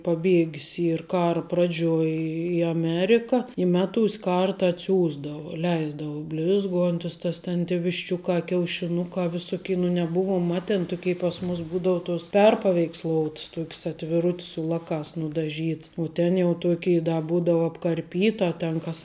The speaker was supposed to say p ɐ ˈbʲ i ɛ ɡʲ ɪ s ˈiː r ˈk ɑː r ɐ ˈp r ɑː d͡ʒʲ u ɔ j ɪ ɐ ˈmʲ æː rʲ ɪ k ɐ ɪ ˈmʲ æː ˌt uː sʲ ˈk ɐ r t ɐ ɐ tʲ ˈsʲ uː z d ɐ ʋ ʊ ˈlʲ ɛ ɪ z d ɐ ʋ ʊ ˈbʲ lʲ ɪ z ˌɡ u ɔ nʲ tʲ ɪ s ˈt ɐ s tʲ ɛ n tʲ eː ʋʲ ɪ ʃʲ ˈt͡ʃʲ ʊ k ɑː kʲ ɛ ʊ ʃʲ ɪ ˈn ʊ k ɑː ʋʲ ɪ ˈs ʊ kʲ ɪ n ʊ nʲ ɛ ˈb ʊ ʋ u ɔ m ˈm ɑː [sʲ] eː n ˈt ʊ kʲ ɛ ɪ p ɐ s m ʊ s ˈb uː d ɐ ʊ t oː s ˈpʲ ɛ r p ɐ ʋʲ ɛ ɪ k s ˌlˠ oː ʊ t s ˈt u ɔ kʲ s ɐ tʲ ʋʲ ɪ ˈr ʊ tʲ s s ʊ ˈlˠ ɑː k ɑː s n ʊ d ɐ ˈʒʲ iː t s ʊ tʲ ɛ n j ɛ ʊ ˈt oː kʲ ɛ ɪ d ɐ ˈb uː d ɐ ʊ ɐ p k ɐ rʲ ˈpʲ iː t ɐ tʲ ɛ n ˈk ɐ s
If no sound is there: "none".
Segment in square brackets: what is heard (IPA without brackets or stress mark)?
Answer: tʲ